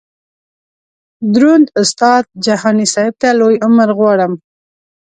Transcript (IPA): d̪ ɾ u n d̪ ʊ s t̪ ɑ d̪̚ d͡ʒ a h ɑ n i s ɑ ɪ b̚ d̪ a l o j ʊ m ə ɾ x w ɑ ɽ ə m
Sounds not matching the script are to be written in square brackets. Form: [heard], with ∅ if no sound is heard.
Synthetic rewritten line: d̪ ɾ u n d̪ ʊ s t̪ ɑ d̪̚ d͡ʒ a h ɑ n i s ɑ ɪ b̚ [t̪] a l o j ʊ m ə ɾ [ɣ] w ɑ ɽ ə m